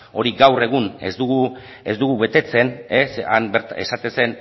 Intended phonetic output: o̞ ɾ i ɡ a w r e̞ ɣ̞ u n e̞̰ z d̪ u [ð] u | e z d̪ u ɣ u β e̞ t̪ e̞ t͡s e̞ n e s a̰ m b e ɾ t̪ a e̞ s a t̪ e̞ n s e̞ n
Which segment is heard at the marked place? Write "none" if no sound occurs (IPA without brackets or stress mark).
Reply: ɣ